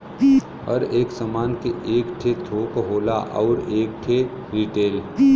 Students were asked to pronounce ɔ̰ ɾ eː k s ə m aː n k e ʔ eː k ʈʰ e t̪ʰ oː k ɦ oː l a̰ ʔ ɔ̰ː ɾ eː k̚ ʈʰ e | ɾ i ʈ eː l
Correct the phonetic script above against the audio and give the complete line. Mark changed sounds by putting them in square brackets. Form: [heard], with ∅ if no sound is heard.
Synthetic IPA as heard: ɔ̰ ɾ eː k s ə m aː n k e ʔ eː k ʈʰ e t̪ʰ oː k ɦ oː l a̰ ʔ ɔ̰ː ɾ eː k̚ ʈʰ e | ɾ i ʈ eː l